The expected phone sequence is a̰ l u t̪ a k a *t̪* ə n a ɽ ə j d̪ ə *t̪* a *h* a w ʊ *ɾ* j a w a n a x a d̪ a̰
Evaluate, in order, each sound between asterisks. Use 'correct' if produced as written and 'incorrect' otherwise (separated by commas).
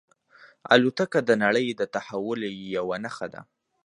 incorrect, correct, correct, incorrect